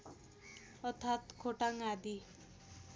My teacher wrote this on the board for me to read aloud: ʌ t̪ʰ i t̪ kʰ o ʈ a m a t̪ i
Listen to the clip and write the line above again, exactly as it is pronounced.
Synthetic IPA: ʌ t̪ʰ a t̪ kʰ o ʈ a ŋ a d̪ i